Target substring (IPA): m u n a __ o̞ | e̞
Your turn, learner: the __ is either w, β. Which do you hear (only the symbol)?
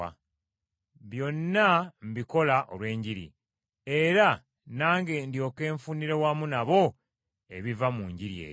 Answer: β